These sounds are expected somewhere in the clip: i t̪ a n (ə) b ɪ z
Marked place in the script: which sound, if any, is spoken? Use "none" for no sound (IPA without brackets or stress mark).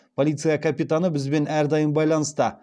ə